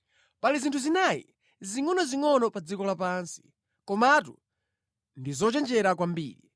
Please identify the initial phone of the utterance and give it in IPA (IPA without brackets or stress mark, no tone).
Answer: p